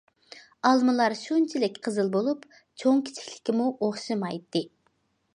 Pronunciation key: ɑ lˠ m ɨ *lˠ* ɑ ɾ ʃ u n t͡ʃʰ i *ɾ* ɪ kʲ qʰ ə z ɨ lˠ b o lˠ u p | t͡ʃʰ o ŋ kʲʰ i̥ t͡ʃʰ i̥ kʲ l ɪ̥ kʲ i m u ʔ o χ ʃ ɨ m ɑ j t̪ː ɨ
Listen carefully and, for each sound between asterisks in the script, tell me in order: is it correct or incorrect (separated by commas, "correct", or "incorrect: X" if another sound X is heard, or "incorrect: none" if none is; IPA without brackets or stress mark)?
correct, incorrect: l